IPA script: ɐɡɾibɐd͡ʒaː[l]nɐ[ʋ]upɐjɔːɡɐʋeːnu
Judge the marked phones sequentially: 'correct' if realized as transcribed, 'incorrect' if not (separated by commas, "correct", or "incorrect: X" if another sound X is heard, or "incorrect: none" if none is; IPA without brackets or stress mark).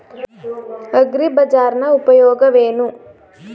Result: incorrect: ɾ, incorrect: none